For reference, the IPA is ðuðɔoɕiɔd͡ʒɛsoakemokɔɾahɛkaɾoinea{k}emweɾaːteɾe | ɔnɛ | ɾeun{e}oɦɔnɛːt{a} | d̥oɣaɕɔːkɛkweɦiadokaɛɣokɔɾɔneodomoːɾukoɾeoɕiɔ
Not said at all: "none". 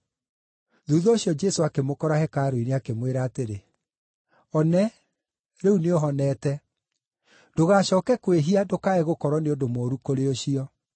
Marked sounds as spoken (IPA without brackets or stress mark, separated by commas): k, e, ɛ